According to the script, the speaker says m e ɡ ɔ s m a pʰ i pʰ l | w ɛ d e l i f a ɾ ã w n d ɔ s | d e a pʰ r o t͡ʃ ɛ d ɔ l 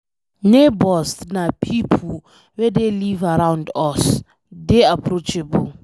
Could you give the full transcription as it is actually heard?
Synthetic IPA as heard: n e b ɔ s n a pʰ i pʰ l | w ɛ d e l i v a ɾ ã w n d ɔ s | d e a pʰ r o t͡ʃ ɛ b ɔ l